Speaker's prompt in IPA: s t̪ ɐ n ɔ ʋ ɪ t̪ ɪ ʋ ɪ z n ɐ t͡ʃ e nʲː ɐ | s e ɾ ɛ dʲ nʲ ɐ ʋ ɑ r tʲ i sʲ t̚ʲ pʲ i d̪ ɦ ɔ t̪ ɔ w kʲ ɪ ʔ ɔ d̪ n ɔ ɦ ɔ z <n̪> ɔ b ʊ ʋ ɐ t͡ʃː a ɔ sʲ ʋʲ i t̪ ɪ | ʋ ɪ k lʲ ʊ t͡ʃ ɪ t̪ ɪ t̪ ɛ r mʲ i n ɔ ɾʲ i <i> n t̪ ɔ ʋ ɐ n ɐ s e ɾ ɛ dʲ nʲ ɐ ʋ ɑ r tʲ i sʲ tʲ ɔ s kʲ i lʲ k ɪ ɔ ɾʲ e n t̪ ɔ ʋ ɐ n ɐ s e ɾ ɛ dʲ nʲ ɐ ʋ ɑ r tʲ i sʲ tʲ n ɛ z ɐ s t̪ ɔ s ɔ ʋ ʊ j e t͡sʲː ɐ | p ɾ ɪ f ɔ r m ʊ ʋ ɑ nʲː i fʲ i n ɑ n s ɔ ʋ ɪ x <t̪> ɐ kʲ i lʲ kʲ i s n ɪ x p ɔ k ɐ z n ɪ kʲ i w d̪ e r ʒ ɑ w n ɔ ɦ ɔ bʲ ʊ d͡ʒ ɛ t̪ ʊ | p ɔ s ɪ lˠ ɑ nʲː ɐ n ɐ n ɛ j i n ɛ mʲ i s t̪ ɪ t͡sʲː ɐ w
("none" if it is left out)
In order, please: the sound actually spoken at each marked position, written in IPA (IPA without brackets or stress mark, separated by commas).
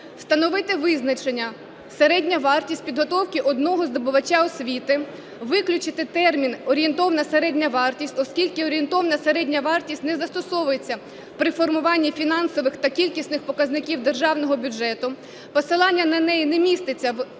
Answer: d̪, e, t̪